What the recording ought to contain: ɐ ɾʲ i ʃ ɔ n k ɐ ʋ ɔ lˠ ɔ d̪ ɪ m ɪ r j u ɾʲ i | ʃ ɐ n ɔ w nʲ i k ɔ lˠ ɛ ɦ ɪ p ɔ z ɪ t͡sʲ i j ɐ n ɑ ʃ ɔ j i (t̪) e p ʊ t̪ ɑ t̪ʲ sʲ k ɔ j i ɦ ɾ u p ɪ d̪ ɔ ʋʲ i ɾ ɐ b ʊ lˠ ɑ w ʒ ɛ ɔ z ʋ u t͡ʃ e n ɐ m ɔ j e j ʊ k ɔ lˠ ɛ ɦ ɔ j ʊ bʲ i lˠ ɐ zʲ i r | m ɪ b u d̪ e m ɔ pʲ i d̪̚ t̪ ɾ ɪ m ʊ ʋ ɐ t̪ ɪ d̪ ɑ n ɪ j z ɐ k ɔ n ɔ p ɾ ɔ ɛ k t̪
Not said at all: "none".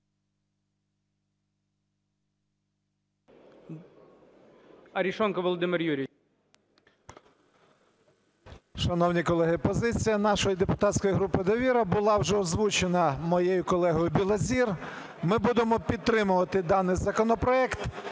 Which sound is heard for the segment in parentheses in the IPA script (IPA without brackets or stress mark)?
d̪